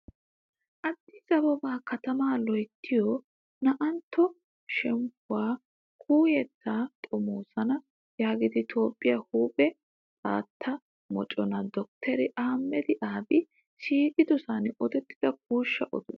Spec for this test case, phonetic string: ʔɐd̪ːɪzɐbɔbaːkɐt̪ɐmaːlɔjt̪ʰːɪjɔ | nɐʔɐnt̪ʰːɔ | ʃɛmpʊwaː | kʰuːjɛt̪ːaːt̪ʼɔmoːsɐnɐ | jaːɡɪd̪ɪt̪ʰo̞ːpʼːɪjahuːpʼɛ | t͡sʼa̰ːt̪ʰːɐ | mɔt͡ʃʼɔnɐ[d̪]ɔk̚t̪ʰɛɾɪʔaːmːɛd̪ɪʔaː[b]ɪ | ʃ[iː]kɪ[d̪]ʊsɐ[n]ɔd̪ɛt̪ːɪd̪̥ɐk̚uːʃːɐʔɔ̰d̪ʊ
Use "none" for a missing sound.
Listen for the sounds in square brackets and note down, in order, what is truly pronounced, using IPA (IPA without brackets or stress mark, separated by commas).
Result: d̪, b, iː, d̪, n